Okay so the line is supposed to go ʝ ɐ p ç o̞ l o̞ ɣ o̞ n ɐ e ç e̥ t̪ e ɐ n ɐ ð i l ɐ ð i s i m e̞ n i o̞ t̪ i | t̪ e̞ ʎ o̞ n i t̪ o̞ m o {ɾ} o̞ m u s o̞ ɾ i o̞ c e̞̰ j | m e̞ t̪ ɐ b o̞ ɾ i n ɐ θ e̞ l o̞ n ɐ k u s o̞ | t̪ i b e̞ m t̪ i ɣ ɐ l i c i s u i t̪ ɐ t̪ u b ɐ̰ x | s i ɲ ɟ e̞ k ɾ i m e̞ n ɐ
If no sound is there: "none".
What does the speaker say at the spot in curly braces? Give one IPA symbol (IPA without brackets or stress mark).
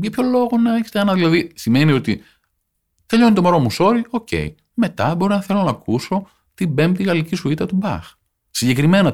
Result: ɾ